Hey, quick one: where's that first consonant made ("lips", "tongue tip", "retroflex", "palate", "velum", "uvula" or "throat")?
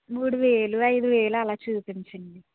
lips